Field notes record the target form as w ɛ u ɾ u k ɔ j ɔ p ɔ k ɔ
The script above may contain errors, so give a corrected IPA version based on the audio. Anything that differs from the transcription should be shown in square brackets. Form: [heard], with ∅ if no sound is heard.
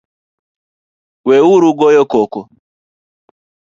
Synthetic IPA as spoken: w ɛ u ɾ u [ɡ] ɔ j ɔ [k] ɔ k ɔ